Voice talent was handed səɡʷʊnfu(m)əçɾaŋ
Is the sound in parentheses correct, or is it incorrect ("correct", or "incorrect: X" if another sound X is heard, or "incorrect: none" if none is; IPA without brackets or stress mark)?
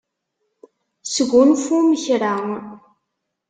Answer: correct